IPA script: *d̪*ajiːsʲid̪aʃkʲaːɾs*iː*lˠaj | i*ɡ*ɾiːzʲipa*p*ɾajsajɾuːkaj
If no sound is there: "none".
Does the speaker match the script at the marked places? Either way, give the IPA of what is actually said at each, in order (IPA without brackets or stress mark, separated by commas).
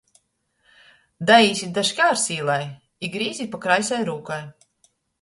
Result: d̪, iː, ɡ, k